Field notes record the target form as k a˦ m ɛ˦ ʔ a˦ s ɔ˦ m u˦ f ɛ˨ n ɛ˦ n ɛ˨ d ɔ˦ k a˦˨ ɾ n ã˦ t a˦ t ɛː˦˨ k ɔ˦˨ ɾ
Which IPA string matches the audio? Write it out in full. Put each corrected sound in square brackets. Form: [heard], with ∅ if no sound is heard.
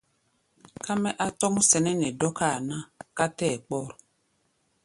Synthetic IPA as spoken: k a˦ m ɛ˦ ʔ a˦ [t] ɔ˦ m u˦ [s] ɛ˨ n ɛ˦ n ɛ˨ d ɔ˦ k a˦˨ [∅] n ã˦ [k] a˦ t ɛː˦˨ [k͡p] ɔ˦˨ ɾ